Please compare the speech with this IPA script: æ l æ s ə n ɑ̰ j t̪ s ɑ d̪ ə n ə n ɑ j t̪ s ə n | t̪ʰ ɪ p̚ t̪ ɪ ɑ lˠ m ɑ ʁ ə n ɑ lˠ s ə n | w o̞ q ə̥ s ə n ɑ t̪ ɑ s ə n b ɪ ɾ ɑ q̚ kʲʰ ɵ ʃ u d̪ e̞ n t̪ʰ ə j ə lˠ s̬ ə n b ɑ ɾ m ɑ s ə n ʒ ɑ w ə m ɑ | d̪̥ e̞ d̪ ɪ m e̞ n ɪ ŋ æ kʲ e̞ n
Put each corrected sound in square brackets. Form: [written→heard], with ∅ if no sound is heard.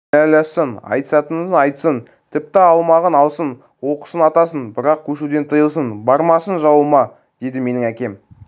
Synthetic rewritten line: æ l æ s ə n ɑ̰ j t̪ s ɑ [d̪→t̪] ə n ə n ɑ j t̪ s ə n | t̪ʰ ɪ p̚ t̪ ɪ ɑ lˠ m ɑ ʁ ə n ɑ lˠ s ə n | w o̞ q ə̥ s ə n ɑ t̪ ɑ s ə n b ɪ ɾ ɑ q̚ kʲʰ ɵ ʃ u d̪ e̞ n t̪ʰ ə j ə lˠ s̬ ə n b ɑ ɾ m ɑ s ə n ʒ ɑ w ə m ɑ | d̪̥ e̞ d̪ ɪ m e̞ n ɪ ŋ æ kʲ e̞ [n→m]